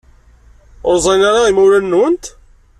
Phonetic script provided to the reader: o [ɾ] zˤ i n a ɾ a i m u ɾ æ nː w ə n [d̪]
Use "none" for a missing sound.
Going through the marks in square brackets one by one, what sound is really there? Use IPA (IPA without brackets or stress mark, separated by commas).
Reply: ɾ, t̪